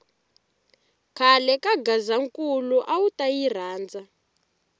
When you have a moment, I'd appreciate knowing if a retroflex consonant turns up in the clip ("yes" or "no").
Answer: no